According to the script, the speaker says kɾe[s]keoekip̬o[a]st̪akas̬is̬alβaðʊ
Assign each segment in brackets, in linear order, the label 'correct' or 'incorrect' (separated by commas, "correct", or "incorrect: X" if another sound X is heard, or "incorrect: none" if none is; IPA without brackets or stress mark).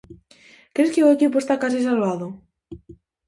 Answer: correct, incorrect: e